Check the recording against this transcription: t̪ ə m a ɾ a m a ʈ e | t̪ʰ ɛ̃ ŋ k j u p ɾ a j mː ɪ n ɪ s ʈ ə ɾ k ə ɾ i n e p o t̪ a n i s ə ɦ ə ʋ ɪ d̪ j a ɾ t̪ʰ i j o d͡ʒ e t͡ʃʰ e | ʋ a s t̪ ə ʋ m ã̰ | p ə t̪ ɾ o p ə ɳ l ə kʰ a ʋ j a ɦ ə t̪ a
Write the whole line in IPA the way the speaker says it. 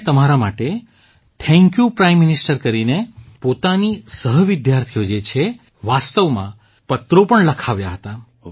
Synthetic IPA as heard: t̪ ə m a ɾ a m a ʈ e | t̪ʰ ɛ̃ ŋ k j u p ɾ a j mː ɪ n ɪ s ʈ ə ɾ k ə ɾ i n e p o t̪ a n i s ə ɦ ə ʋ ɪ d̪ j a ɾ t̪ʰ i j o d͡ʒ e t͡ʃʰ e | ʋ a s t̪ ə ʋ m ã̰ | p ə t̪ ɾ o p ə ɳ l ə kʰ a ʋ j a ɦ ə t̪ a